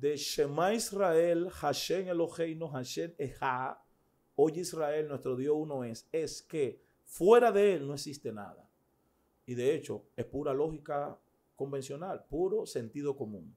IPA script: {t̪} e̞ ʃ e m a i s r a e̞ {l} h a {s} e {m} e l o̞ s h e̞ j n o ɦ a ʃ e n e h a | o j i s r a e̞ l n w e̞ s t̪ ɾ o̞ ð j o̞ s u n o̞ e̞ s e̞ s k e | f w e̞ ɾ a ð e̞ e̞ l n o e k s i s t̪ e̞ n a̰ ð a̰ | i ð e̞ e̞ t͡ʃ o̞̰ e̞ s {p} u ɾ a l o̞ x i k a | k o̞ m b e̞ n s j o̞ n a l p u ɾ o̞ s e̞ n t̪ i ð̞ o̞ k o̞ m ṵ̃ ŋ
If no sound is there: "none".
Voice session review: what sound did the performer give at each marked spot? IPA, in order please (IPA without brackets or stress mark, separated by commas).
d̪, l, ʃ, ŋ, p